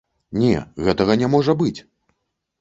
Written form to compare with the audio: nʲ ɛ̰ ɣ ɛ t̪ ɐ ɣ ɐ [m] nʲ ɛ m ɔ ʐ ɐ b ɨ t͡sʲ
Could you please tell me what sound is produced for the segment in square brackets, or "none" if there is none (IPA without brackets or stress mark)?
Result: none